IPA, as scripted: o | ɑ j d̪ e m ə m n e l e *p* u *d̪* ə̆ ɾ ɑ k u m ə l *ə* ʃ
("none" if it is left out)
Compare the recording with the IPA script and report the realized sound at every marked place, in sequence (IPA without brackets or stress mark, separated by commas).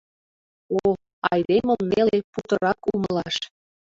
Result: p, t̪, ɑ